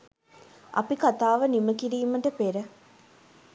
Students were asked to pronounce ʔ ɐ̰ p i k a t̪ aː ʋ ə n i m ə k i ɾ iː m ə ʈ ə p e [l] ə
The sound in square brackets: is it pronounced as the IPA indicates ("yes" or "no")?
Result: no